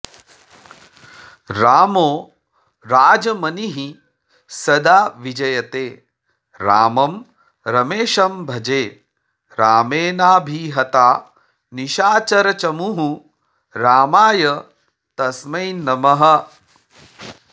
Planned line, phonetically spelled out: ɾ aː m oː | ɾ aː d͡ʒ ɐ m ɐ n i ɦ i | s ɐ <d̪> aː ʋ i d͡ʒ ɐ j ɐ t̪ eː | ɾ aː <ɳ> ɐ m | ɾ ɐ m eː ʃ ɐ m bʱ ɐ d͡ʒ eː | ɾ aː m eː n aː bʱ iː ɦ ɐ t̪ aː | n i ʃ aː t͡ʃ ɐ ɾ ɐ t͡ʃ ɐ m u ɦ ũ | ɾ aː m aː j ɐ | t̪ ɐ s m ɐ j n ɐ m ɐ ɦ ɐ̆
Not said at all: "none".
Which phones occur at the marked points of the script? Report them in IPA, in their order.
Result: d̪, m

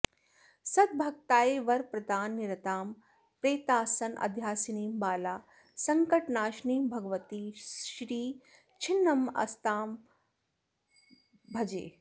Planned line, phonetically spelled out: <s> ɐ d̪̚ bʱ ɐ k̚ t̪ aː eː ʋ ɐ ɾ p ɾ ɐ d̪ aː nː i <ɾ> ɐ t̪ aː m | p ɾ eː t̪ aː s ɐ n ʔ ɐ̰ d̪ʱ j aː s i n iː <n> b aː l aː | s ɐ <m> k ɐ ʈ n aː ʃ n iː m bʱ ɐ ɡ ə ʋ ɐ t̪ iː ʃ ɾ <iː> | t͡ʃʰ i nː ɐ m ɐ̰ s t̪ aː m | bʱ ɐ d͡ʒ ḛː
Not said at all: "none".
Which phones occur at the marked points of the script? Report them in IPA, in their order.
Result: s, ɾ, m, ŋ, iː

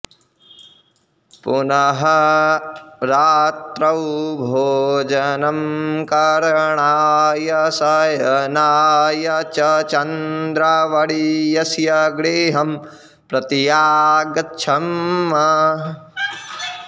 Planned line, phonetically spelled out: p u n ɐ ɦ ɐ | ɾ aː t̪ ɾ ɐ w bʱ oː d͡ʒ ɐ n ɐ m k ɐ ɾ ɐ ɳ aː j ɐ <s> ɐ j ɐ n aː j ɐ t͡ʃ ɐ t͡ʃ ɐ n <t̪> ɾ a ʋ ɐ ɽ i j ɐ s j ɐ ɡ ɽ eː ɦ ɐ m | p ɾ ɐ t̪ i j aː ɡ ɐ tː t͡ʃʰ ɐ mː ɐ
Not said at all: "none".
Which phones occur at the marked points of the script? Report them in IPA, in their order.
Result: s, d̪

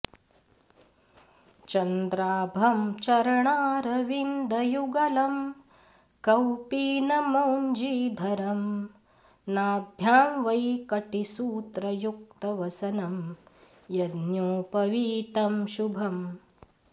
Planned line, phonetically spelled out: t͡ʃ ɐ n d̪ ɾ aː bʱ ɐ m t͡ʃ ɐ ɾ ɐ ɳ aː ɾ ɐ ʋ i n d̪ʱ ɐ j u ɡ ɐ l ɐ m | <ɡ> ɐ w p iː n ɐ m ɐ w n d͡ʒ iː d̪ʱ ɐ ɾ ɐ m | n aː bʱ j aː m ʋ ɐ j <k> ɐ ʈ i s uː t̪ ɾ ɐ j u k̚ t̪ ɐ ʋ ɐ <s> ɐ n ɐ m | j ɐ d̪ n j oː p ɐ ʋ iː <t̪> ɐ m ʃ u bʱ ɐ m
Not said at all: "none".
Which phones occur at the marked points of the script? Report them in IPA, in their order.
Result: k, k, s, t̪

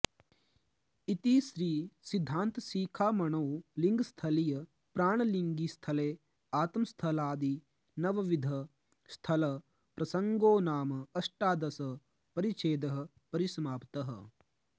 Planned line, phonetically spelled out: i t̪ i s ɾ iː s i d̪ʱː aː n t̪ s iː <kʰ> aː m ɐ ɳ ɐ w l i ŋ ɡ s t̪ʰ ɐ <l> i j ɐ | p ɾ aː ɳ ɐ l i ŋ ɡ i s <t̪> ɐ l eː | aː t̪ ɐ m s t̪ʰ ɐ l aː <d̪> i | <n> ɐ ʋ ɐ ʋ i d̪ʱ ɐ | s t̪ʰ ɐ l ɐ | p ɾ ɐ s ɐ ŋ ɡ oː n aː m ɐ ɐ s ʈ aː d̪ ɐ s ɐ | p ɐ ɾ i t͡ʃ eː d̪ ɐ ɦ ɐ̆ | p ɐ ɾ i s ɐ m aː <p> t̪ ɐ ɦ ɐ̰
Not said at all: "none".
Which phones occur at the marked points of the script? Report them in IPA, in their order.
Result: kʰ, l, t̪ʰ, d̪, n, p

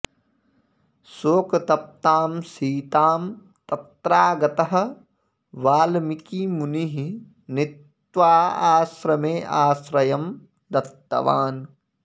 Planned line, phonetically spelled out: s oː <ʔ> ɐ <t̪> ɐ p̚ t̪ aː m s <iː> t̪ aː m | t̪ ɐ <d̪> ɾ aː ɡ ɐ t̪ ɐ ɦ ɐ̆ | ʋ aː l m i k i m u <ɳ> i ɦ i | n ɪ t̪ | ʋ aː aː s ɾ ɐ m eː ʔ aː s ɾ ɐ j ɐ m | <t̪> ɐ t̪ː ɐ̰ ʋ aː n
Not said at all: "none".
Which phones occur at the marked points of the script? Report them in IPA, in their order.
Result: k, t̪, iː, t̪, n, d̪

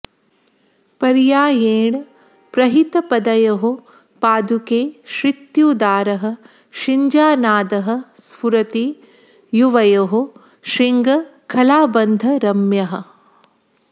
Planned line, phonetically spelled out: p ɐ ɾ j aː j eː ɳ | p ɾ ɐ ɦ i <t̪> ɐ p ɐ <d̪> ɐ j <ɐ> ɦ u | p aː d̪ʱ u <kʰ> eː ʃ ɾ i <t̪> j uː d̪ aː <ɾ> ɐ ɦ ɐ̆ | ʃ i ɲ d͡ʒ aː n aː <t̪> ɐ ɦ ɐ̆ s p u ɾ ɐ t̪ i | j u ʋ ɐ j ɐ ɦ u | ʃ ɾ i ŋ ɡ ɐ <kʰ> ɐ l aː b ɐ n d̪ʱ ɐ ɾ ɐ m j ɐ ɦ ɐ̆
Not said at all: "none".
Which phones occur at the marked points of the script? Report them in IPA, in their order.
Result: t̪, d̪, ɐ, k, t̪, ɾ, d̪, kʰ

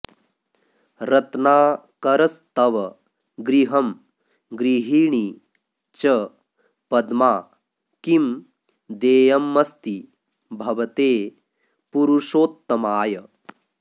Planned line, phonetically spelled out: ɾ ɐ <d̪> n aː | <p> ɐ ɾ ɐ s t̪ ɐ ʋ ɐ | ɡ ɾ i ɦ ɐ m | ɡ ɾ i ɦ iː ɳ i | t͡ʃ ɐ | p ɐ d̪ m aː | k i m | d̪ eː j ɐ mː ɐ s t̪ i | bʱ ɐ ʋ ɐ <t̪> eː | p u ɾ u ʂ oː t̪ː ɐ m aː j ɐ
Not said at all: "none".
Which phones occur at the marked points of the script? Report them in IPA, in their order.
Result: t̪, k, t̪

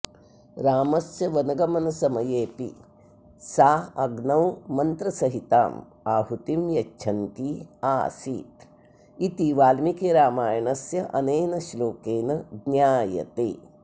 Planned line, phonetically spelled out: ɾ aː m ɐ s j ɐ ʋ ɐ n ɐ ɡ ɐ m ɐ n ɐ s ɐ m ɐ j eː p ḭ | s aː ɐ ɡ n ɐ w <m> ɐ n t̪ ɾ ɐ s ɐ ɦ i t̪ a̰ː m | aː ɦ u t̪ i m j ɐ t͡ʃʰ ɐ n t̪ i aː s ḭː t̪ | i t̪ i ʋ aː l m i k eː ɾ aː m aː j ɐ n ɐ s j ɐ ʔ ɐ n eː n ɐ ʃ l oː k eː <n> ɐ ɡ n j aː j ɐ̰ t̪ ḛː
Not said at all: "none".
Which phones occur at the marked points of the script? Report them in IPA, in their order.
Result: m, n

